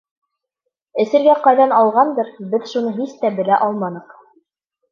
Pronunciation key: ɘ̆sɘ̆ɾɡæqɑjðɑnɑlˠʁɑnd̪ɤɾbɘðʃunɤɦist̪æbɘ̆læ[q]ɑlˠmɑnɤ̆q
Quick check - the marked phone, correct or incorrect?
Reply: incorrect